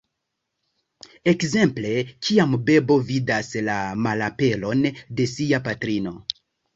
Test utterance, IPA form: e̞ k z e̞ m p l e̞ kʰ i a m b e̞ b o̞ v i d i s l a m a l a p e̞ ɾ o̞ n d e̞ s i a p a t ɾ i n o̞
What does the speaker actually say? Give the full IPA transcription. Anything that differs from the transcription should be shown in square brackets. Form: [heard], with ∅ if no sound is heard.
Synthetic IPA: e̞ k z e̞ m p l e̞ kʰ i a m b e̞ b o̞ v i d [a] s l a m a l a p e̞ [l] o̞ n d e̞ s i a p a t ɾ i n o̞